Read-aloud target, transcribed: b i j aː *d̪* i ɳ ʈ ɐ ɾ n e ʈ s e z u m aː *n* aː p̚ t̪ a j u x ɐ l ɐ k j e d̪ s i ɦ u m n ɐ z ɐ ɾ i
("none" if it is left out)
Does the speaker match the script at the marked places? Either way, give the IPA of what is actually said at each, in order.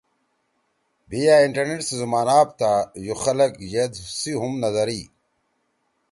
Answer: none, n

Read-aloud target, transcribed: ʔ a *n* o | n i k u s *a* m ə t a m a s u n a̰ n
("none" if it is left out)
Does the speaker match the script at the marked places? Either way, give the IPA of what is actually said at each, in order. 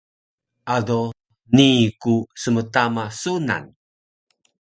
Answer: d, ə

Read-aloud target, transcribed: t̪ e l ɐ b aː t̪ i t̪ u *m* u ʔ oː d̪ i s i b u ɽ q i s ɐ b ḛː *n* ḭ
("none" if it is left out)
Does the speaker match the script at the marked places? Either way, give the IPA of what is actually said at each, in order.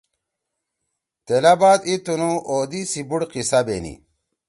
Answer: n, n

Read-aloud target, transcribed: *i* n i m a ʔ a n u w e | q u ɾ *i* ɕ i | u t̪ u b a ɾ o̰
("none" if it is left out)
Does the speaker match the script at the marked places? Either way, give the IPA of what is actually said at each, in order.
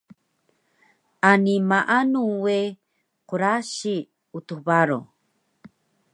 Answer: a, a

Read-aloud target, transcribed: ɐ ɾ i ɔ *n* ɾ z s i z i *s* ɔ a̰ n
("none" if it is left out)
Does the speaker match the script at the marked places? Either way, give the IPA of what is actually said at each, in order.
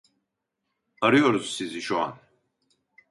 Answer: none, ʃ

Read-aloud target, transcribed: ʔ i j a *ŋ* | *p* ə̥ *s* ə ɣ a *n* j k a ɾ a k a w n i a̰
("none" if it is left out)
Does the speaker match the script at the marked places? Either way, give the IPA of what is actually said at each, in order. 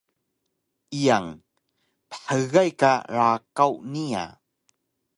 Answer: ŋ, p, ħ, none

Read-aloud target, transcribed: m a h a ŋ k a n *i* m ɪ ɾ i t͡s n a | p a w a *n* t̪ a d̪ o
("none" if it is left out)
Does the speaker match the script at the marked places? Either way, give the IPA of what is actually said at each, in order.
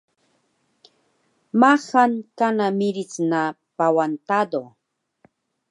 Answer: a, n

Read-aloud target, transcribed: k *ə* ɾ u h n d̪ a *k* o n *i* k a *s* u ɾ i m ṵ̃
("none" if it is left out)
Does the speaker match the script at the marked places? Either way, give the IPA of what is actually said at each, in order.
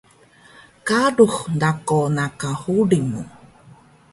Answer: a, k, a, h

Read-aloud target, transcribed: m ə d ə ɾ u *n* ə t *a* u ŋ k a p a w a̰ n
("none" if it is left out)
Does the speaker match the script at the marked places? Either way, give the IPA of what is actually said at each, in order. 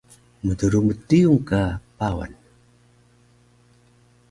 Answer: m, i

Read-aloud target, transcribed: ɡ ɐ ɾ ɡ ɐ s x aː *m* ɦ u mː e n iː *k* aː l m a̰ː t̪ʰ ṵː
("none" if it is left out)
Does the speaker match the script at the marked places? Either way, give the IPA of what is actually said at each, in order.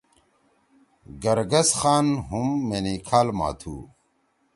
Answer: n, kʰ

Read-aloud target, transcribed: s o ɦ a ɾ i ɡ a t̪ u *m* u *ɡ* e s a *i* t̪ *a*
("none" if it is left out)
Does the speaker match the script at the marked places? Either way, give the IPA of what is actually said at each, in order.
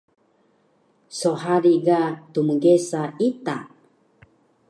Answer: m, ɡ, i, a

